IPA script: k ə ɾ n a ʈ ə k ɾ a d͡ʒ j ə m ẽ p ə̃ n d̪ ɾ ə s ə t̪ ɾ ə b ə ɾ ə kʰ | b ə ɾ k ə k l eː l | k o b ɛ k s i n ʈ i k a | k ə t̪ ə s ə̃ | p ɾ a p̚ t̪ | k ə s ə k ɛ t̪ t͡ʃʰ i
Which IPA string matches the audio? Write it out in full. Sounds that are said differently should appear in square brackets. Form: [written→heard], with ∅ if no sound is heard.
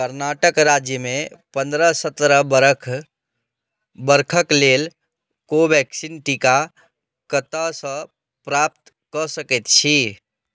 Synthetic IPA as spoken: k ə ɾ n a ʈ ə k ɾ a d͡ʒ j ə m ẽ p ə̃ n d̪ ɾ ə s ə t̪ ɾ ə b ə ɾ ə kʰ | b ə ɾ [k→kʰ] ə k l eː l | k o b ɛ k s i n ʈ i k a | k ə t̪ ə s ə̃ | p ɾ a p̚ t̪ | k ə s ə k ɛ t̪ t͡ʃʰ i